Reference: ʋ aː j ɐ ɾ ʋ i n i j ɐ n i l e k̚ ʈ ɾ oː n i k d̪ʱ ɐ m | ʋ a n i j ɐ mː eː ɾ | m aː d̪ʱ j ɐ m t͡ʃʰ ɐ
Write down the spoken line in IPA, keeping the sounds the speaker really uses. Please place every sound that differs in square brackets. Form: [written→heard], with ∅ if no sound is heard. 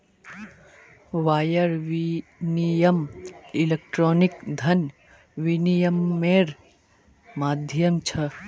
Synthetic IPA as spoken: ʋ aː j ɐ ɾ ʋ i n i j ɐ [n→m] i l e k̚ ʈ ɾ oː n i k d̪ʱ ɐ [m→n] | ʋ [a→i] n i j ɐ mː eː ɾ | m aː d̪ʱ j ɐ m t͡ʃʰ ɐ